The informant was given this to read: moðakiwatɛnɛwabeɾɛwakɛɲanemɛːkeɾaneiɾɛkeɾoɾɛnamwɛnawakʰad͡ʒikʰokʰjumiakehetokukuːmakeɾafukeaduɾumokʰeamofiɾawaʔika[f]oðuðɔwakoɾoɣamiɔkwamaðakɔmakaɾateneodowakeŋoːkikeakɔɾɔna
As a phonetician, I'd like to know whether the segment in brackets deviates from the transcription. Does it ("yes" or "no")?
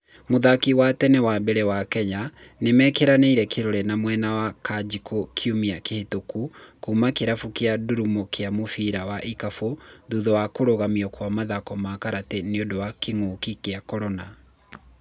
no